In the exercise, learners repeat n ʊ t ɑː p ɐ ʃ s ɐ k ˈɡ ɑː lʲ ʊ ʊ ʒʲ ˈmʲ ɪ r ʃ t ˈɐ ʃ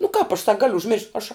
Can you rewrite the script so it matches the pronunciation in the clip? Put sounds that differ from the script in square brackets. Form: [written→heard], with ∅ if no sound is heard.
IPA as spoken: n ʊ [t→k] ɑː p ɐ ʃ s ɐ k ˈɡ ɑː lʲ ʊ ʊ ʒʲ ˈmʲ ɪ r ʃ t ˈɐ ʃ